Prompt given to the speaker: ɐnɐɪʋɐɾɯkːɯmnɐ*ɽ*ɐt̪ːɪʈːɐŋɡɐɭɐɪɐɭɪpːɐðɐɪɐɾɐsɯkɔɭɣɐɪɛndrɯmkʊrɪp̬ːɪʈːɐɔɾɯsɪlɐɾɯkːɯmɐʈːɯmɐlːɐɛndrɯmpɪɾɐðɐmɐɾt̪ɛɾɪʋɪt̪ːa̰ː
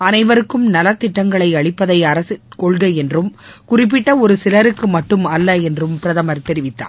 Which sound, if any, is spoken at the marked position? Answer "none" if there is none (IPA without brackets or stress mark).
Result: l